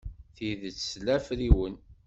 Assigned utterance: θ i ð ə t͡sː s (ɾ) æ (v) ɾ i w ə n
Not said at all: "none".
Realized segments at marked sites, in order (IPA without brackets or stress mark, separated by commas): l, f